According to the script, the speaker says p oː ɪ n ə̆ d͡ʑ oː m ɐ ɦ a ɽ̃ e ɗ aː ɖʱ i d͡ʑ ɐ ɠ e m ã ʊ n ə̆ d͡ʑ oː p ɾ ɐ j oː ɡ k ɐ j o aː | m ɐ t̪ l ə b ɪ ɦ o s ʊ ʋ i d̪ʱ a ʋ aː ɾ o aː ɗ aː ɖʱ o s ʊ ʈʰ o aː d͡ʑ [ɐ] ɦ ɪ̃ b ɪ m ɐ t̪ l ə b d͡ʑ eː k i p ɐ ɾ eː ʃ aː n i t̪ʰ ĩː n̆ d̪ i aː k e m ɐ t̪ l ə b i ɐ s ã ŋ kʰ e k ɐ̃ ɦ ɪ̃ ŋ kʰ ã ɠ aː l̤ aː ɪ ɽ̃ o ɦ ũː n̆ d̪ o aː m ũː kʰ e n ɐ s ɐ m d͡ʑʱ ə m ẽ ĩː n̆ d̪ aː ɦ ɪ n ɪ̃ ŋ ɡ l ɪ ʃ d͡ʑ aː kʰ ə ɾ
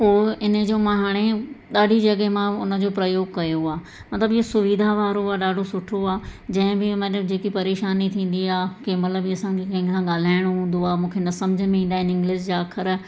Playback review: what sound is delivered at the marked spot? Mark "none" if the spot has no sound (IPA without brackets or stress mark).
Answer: ɐ̃